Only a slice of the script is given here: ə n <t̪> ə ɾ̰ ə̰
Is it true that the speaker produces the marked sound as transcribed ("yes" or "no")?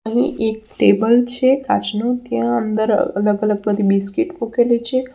no